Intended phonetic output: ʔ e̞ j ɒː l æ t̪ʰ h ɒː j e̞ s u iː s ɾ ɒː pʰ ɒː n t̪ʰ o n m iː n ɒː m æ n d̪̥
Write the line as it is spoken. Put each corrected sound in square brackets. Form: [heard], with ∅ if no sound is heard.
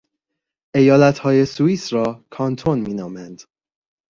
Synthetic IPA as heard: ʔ e̞ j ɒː l æ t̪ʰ h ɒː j e̞ s u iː s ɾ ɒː [kʰ] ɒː n t̪ʰ o n m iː n ɒː m æ n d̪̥